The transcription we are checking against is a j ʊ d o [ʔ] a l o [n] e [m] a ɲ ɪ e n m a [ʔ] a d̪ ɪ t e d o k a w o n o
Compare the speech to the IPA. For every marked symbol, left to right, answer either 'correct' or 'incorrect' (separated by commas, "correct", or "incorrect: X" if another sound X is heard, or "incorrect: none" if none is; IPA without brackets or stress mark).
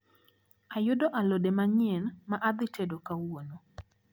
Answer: correct, incorrect: d, correct, correct